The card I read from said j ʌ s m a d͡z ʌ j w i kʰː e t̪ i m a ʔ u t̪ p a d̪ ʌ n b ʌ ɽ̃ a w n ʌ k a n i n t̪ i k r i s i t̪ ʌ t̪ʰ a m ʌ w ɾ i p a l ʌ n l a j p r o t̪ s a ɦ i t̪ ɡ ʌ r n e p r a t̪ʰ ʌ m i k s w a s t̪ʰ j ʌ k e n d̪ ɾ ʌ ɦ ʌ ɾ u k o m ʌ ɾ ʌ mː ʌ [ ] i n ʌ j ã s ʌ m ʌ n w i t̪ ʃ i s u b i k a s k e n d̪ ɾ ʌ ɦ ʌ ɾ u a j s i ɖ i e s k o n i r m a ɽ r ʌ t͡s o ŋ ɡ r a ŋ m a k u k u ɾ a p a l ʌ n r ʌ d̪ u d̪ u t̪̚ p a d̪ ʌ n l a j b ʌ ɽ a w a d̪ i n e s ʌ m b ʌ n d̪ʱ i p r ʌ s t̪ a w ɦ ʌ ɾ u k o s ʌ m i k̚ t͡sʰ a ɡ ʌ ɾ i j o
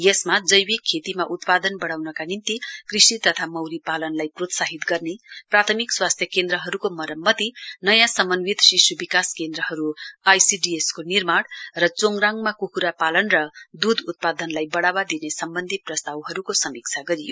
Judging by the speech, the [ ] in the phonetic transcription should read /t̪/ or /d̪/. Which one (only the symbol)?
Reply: t̪